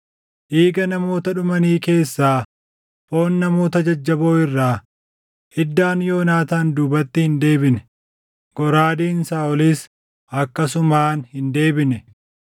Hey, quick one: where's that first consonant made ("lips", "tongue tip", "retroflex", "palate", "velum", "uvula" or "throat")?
throat